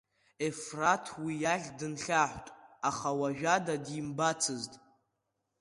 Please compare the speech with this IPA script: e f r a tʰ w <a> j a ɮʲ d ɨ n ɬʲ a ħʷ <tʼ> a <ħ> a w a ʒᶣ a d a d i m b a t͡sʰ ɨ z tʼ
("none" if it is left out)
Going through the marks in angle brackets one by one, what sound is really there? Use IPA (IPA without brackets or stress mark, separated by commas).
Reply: i, tʼ, χ